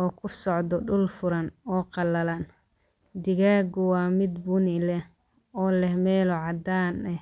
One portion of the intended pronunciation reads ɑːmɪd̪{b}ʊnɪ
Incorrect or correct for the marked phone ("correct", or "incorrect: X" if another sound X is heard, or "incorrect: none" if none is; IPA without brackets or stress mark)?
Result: correct